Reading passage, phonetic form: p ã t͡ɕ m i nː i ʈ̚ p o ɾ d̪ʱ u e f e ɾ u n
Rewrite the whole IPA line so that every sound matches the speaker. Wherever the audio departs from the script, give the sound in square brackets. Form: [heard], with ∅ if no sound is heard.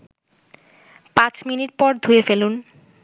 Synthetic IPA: p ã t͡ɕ m i [n] i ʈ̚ p [ɔ] ɾ d̪ʱ u e f e [l] u n